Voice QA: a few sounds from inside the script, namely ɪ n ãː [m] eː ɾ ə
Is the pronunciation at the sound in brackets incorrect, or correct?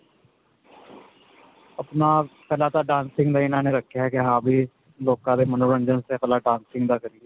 incorrect: n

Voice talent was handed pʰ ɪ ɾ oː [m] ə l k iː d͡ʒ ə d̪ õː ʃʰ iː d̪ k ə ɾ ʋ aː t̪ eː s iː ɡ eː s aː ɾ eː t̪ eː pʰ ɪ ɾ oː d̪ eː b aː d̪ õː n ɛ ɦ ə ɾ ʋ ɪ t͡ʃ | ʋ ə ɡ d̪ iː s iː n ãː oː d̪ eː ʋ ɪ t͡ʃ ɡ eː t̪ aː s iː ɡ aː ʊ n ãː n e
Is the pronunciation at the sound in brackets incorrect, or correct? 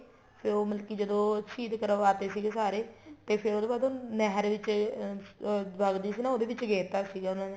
correct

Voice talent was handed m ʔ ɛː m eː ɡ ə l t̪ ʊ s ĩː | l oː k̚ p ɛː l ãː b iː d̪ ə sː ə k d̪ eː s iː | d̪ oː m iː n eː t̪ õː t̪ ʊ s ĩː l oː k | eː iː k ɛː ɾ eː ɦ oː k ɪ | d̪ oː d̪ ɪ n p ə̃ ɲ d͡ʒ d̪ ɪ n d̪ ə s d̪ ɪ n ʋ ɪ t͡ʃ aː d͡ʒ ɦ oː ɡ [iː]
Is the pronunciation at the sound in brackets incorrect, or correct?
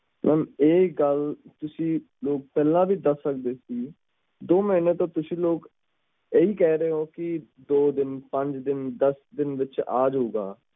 incorrect: aː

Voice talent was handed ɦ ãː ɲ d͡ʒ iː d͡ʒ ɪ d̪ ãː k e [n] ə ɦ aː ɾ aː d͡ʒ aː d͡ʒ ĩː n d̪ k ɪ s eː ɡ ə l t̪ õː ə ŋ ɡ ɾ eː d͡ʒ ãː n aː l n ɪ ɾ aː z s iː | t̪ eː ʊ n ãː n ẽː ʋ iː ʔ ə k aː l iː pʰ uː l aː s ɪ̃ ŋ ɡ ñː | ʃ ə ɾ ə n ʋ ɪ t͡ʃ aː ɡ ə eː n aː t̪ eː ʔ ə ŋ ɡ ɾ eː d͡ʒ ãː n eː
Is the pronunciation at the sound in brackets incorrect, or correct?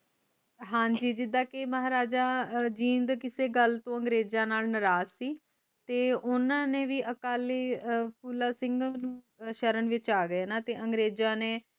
incorrect: m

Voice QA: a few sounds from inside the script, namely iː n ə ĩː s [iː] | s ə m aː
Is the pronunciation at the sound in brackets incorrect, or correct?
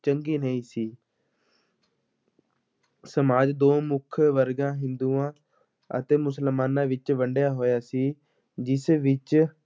correct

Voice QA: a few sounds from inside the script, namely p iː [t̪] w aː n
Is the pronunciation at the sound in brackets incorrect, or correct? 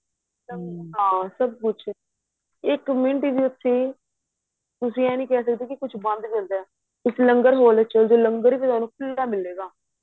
correct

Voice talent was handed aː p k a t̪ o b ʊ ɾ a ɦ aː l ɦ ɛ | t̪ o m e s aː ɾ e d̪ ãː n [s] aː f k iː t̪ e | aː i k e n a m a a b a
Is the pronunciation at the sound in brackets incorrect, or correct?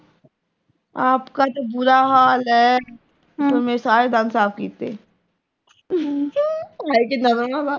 correct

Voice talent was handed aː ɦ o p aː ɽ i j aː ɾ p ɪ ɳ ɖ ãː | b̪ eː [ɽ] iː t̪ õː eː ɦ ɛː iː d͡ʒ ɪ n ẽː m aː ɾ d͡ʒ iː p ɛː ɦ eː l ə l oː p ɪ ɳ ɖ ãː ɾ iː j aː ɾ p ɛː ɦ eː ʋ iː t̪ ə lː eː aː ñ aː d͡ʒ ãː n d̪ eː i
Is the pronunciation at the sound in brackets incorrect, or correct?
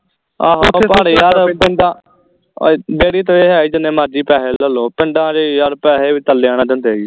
correct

